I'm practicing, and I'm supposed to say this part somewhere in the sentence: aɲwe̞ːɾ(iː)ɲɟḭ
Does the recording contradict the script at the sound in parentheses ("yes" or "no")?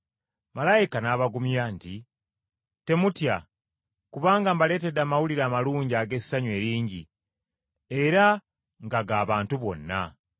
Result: no